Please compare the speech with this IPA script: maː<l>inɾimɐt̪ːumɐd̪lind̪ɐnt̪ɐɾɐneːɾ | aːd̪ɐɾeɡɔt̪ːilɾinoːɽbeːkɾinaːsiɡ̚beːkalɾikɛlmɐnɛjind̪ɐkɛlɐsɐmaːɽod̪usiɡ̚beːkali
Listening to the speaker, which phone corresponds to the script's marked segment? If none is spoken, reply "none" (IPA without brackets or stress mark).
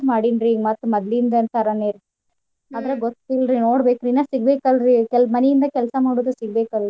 ɽ